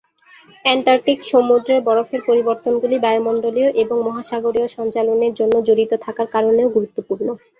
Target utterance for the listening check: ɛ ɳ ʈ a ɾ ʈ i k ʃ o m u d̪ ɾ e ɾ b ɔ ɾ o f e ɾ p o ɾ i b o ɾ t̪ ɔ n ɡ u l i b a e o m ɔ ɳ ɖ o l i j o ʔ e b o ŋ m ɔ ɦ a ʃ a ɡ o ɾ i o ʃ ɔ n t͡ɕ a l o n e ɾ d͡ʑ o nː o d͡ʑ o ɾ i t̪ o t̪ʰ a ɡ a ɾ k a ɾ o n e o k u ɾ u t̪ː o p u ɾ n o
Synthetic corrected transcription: ɛ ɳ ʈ a ɾ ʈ i k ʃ o m u d̪ ɾ e ɾ b ɔ ɾ o f e ɾ p o ɾ i b o ɾ t̪ o n ɡ u l i b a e o m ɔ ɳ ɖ o l i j o ʔ e b o ŋ m ɔ ɦ a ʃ a ɡ o ɾ i o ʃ ɔ n t͡ɕ a l o n e ɾ d͡ʑ o nː o d͡ʑ o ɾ i t̪ o t̪ʰ a k a ɾ k a ɾ o n e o ɡ u ɾ u t̪ː o p u ɾ n o